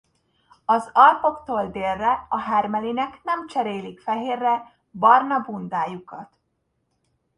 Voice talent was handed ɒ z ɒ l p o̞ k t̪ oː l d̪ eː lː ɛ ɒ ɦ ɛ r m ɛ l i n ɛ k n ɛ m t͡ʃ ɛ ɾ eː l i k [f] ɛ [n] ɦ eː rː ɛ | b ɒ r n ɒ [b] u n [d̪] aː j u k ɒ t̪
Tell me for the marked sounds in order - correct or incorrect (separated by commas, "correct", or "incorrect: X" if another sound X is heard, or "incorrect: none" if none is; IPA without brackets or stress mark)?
correct, incorrect: none, correct, correct